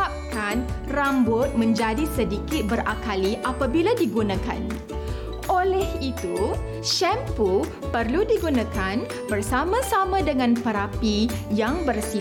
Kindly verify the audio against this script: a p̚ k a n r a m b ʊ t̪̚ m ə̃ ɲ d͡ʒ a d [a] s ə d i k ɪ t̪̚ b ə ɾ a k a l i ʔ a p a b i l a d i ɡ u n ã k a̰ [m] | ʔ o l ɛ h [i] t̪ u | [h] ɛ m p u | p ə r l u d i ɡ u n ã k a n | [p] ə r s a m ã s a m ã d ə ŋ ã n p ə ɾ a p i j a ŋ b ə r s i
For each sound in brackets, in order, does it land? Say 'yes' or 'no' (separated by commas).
no, no, yes, no, no